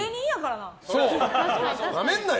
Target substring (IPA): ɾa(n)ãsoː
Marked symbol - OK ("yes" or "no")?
yes